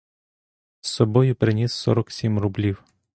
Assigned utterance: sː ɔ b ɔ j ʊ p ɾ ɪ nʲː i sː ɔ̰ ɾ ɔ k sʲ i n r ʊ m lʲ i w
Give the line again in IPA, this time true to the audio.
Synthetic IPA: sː ɔ b ɔ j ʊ p ɾ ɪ nʲ i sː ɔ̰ ɾ ɔ k sʲ i m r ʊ b lʲ i w